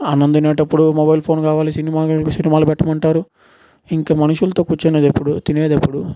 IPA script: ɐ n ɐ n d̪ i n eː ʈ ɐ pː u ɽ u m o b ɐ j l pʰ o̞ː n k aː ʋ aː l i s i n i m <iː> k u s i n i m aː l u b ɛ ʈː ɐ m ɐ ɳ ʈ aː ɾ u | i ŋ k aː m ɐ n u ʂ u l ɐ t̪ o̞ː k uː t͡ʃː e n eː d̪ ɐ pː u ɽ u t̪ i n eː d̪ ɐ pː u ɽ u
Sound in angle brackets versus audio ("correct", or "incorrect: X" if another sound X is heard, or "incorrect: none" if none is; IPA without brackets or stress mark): incorrect: aː